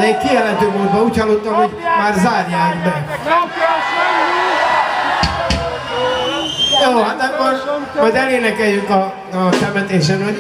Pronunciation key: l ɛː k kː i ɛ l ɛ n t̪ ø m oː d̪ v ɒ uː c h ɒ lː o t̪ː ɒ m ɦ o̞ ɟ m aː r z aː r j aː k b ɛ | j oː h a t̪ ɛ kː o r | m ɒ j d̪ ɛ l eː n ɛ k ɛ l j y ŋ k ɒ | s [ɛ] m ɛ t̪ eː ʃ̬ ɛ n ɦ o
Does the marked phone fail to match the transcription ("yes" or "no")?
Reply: no